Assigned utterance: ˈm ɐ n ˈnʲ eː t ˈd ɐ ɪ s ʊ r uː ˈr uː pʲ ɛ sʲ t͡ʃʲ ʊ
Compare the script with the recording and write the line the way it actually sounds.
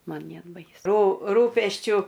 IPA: ˈm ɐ n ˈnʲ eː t ˈb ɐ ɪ s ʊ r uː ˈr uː pʲ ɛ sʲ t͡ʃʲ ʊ